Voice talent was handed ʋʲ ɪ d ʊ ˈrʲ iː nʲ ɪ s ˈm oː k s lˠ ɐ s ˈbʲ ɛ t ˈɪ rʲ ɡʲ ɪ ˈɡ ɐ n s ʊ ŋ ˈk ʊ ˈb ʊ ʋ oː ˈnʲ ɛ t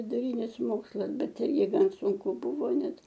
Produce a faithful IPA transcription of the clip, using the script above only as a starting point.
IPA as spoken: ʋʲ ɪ d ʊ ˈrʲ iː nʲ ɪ s ˈm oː k s lˠ ɐ s ˈbʲ ɛ t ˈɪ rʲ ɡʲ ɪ ˈɡ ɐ n s ʊ ŋ ˈk ʊ ˈb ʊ ʋ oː ˈnʲ ɛ t